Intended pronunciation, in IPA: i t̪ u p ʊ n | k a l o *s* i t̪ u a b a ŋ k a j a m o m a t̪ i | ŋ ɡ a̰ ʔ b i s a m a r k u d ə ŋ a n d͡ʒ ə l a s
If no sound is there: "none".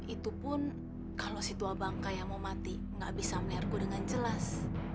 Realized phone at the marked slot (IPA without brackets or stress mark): s